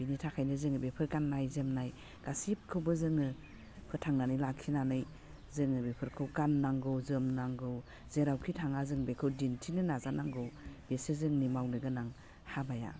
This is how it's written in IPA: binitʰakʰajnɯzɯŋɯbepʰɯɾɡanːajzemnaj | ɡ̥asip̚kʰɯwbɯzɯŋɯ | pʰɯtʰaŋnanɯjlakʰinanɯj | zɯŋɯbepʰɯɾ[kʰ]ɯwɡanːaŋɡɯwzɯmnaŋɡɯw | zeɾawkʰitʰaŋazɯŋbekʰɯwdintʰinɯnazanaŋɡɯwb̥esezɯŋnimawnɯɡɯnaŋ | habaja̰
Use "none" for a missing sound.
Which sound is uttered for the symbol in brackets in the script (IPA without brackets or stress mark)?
kʰ